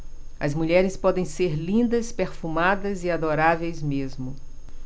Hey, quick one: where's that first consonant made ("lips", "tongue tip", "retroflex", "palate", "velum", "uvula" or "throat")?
tongue tip